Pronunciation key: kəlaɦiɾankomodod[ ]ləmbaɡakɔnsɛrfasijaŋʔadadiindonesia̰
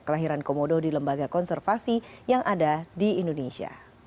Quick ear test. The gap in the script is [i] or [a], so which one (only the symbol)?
i